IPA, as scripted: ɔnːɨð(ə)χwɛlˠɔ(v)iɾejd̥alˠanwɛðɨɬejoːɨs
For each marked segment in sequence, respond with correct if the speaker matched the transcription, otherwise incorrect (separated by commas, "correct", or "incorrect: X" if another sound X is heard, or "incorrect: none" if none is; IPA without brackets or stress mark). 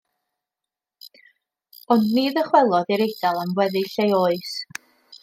correct, incorrect: ð